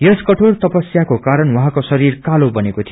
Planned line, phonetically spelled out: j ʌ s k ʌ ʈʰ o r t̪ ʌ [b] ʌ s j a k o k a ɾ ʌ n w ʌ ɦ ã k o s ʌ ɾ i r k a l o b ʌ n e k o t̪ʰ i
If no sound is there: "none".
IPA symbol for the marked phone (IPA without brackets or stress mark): p